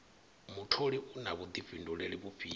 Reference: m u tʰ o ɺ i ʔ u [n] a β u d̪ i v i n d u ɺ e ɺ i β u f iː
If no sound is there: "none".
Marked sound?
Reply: n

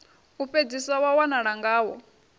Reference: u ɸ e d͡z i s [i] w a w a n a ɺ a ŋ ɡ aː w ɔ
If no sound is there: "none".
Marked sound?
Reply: a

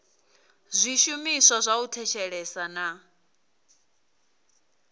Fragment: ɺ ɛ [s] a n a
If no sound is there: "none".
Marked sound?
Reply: s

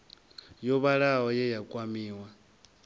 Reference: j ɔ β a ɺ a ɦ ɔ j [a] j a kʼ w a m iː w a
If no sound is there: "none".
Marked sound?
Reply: ɛ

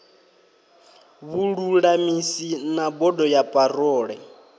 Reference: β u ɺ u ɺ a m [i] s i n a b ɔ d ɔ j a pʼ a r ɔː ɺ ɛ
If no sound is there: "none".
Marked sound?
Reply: i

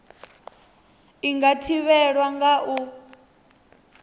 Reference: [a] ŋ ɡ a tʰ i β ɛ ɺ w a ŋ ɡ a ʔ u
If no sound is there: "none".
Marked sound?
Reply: i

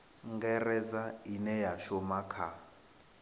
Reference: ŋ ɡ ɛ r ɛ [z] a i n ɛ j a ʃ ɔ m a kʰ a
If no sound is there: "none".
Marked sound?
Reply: z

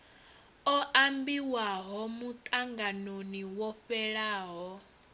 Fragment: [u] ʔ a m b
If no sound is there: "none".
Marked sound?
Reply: ɔ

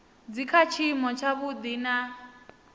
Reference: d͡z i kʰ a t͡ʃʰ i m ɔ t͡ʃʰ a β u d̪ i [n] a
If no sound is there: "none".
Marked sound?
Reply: n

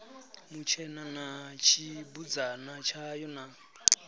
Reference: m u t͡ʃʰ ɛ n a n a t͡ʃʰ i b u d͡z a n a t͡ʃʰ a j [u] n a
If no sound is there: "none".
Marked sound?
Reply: ɔ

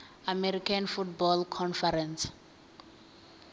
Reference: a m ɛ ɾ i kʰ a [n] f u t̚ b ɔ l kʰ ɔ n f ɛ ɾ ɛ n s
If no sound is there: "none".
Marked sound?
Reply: n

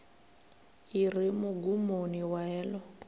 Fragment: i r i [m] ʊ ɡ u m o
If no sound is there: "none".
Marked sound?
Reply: m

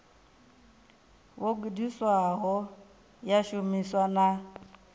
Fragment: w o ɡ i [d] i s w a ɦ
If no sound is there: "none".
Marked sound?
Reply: d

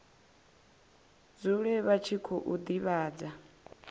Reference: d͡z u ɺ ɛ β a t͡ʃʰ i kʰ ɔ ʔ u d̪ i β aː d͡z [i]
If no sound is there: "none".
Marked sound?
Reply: a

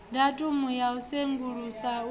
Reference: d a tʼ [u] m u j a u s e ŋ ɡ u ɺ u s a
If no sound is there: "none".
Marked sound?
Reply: u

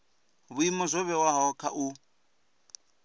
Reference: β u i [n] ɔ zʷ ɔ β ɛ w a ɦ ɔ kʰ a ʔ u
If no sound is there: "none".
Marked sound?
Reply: m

